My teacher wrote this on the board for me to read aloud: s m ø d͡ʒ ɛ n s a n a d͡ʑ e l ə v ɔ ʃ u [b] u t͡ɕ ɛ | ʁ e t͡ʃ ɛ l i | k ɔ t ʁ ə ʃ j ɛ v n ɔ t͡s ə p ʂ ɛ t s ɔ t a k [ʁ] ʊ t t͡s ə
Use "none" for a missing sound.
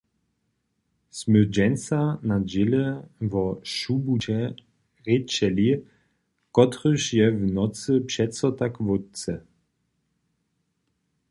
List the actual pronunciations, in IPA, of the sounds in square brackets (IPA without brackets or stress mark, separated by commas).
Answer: b, v